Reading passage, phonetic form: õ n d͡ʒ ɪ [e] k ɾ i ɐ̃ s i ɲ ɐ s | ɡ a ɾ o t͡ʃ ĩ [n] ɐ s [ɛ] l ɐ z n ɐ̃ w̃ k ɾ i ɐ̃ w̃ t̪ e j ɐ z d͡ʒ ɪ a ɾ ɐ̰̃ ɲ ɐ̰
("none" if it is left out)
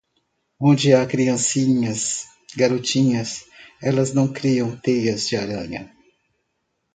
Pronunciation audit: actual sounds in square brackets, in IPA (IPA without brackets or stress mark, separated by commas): a, ɲ, ɛ